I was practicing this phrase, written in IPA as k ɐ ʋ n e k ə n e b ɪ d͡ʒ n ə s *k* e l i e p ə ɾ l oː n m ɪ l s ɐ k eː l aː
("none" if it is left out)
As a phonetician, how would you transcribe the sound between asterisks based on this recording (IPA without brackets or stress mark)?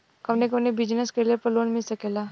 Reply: k